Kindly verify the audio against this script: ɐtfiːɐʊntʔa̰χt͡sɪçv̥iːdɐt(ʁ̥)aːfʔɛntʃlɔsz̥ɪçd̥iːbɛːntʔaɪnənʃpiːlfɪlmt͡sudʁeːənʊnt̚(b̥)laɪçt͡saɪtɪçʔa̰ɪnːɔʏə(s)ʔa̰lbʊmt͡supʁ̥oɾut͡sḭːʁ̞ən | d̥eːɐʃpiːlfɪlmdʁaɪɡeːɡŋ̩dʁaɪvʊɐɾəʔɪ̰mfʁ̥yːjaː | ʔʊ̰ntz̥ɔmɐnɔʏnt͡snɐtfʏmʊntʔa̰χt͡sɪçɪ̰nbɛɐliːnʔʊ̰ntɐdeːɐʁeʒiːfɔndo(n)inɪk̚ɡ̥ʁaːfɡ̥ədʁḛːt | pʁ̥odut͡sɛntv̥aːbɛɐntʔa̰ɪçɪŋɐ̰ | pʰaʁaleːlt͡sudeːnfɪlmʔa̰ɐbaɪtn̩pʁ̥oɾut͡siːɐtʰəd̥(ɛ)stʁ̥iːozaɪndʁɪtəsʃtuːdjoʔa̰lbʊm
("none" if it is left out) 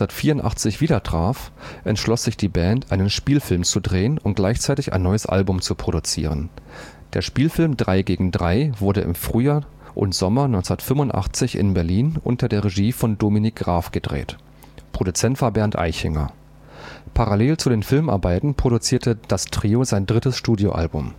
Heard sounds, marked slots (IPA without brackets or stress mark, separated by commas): ʁ̥, ɡ̥, s, m, a